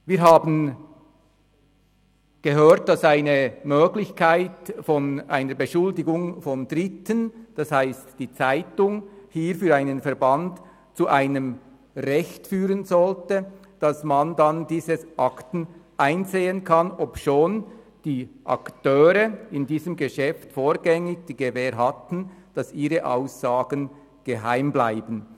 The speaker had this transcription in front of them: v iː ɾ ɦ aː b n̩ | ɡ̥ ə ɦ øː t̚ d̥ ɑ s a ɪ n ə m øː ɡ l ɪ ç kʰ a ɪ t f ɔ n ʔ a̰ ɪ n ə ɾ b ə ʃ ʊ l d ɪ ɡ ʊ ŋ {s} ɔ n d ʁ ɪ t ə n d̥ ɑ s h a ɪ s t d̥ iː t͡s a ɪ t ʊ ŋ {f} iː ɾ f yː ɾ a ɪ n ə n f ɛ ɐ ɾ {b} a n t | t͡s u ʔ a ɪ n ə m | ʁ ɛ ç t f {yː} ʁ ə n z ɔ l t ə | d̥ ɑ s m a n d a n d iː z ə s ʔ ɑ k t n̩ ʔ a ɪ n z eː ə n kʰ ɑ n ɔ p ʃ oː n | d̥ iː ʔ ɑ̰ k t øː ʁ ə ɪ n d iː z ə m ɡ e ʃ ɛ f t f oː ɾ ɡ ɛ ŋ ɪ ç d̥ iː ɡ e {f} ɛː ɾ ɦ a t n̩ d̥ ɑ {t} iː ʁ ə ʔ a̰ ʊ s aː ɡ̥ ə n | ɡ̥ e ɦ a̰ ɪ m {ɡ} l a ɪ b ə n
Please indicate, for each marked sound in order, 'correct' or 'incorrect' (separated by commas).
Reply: incorrect, incorrect, correct, correct, incorrect, incorrect, incorrect